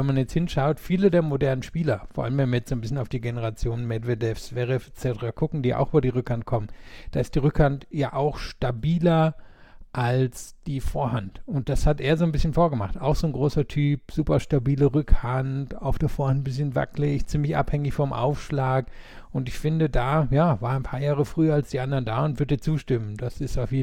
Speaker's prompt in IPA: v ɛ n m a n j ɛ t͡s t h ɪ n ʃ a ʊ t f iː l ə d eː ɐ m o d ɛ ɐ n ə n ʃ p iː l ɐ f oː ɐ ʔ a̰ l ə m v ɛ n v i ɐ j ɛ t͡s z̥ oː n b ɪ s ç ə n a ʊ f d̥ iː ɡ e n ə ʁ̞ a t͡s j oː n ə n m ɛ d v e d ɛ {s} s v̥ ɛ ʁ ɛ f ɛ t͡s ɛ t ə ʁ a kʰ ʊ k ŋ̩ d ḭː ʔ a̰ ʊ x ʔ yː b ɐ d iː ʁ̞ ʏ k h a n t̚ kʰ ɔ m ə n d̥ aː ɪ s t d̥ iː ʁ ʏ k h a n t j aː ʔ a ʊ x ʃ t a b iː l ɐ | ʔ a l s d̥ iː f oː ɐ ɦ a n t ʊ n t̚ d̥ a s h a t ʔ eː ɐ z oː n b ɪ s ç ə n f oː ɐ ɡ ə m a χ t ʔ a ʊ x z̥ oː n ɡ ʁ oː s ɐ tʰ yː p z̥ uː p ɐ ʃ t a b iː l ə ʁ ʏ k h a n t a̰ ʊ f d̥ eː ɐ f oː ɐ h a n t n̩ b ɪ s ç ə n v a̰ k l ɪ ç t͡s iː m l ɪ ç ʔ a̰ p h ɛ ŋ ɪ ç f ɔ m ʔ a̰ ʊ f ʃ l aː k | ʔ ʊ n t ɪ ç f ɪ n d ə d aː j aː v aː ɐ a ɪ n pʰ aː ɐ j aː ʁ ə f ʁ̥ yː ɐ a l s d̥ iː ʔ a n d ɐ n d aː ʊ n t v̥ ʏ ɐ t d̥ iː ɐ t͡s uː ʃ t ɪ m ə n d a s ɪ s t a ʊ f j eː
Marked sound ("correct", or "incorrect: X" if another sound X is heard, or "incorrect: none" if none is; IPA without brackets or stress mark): incorrect: f